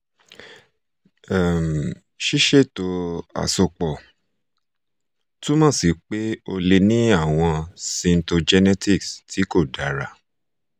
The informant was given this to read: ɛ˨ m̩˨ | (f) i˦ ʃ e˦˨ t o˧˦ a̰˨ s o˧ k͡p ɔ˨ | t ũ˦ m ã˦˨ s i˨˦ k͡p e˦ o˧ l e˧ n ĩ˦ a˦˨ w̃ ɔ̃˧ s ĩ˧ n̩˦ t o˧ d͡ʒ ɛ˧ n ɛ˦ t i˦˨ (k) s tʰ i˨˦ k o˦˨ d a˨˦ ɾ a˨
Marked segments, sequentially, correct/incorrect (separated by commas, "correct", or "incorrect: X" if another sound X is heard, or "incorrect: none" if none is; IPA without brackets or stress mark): incorrect: ʃ, correct